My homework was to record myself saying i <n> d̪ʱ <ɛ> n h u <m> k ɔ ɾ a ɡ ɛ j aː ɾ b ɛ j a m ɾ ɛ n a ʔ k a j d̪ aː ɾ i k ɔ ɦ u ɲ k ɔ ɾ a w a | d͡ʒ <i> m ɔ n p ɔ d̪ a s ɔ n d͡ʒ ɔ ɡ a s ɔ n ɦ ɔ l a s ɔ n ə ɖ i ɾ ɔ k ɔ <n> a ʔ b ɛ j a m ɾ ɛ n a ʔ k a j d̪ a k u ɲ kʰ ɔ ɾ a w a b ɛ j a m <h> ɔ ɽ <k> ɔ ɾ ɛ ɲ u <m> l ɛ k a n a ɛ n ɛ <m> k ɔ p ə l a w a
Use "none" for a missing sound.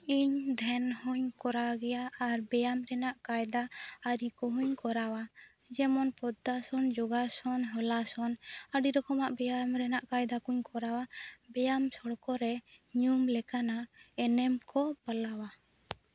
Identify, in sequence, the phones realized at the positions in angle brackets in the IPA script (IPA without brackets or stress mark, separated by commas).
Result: ɲ, ɛ, ɲ, ɛ, m, s, k, m, m